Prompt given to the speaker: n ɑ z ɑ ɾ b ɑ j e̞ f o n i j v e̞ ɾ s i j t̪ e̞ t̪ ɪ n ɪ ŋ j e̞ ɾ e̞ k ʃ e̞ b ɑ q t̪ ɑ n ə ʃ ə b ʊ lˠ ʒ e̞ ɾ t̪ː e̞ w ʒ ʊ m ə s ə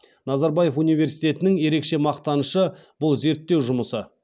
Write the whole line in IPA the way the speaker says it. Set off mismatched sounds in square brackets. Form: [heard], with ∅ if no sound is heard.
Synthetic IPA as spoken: n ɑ z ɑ ɾ b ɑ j e̞ f [u] n i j v e̞ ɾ s i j t̪ e̞ t̪ ɪ n ɪ ŋ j e̞ ɾ e̞ k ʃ e̞ [m] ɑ q t̪ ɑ n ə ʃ ə b ʊ lˠ [z] e̞ ɾ t̪ː e̞ w ʒ ʊ m ə s ə